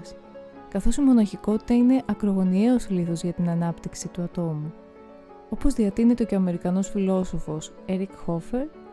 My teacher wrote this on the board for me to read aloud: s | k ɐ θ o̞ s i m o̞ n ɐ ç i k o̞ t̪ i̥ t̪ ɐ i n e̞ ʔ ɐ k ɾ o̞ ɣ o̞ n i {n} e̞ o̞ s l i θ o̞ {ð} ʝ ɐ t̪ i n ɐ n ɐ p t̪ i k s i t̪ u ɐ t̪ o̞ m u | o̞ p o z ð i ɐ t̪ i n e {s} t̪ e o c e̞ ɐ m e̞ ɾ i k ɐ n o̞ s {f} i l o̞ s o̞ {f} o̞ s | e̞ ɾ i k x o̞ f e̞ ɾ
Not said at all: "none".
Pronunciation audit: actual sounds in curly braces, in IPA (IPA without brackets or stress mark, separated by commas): none, z, none, f, f